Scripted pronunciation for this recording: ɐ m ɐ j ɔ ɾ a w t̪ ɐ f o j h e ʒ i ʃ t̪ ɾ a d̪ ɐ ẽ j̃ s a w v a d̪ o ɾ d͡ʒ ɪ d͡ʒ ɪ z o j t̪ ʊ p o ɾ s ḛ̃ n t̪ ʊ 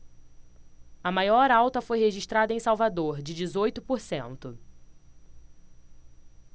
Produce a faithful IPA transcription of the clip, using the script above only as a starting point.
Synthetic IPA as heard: ɐ m a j ɔ ɾ a w t̪ ɐ f o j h e ʒ i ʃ t̪ ɾ a d̪ ɐ ẽ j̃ s a w v a d̪ o ɾ d͡ʒ ɪ d͡ʒ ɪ z o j t̪ ʊ p o ɾ s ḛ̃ n t̪ ʊ

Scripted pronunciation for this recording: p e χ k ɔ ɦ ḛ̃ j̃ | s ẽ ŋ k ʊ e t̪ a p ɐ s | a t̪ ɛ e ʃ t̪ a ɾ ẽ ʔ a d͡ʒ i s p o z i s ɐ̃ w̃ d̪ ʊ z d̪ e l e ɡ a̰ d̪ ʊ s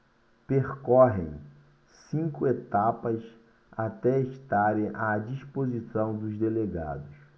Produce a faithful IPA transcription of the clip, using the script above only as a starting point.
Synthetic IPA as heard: p e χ k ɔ ɦ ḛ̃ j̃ | s ĩ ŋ k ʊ e t̪ a p ɐ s | a t̪ ɛ e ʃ t̪ a ɾ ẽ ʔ a d͡ʒ i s p o z i s ɐ̃ w̃ d̪ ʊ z d̪ e l e ɡ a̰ d̪ ʊ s

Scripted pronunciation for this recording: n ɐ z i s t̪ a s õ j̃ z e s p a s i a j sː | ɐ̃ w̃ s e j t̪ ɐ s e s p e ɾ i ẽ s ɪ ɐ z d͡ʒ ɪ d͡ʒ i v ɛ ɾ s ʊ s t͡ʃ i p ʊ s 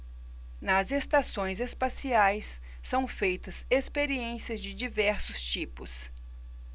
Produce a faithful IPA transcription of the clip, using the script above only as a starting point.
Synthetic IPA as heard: n ɐ z e s t̪ a s õ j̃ z e s p a s i a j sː | ɐ̃ w̃ f e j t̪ ɐ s e s p e ɾ i ẽ s i ɐ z d͡ʒ ɪ d͡ʒ i v ɛ ɾ s ʊ s t͡ʃ i p ʊ s

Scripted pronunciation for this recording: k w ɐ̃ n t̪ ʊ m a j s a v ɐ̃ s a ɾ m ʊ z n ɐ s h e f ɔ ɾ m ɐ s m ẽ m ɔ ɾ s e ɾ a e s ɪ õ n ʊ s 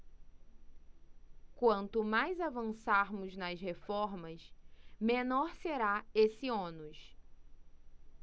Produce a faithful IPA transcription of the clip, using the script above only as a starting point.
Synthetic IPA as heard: k w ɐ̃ n t̪ ʊ m a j z a v ɐ̃ s a ɾ m ʊ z n ɐ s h e f ɔ ɾ m ɐ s m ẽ n ɔ ɾ s e ɾ a e s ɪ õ n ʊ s

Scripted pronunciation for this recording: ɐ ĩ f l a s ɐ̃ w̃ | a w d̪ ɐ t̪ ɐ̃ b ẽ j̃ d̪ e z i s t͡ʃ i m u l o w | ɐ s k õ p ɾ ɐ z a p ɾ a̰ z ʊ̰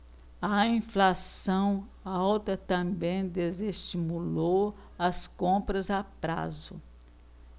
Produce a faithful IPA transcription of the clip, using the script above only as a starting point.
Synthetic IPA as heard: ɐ ĩ f l a s ɐ̃ w̃ | a w t̪ ɐ t̪ ɐ̃ b ẽ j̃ d̪ e z e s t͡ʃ i m u l o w | ɐ s k õ p ɾ ɐ z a p ɾ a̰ z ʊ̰

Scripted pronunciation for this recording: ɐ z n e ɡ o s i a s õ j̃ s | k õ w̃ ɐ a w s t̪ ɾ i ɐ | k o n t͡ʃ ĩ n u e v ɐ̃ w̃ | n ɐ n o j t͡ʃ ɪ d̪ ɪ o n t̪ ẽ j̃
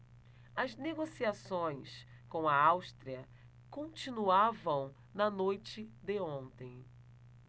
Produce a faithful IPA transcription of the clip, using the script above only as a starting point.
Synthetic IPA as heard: ɐ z n e ɡ o s i a s õ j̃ s | k õ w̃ ɐ a w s t̪ ɾ i ɐ | k õ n t͡ʃ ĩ n u a v ɐ̃ w̃ | n ɐ n o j t͡ʃ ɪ d̪ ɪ õ n t̪ ẽ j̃

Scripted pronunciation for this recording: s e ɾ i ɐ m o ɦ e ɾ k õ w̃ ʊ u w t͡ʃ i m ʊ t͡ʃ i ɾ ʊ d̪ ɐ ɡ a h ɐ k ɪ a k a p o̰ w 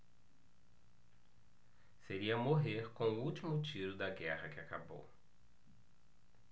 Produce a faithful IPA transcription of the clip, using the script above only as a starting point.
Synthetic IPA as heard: s e ɾ i ɐ m o ɦ e ɾ k õ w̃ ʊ u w t͡ʃ i m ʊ t͡ʃ i ɾ ʊ d̪ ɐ ɡ ɛ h ɐ k ɪ a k a b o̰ w

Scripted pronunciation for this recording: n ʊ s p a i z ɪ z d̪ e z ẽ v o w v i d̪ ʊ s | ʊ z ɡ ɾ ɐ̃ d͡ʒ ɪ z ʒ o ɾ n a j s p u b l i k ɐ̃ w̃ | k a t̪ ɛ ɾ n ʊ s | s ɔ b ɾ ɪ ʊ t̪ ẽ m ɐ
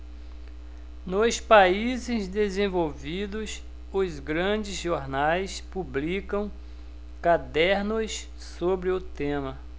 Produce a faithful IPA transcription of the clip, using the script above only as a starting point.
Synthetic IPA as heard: n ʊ s p a i z ɪ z d̪ e z ẽ v o w v i d̪ ʊ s | ʊ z ɡ ɾ ɐ̃ d͡ʒ ɪ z ʒ o ɾ n a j s p u b l i k ɐ̃ w̃ | k a d̪ ɛ ɾ n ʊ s | s o b ɾ ɪ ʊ t̪ ẽ m ɐ

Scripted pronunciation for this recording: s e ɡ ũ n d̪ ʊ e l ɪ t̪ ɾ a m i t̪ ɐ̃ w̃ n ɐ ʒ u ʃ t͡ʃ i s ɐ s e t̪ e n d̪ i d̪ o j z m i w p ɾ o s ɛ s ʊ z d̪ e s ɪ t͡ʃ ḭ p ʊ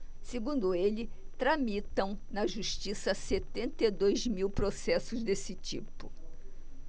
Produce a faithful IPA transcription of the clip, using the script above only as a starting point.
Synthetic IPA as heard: s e ɡ ũ n d̪ ʊ e l ɪ t̪ ɾ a m i t̪ ɐ̃ w̃ n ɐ ʒ u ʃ t͡ʃ i s ɐ s e t̪ ẽ n t̪ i d̪ o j z m i w p ɾ o s ɛ s ʊ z d̪ e s ɪ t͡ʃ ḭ p ʊ

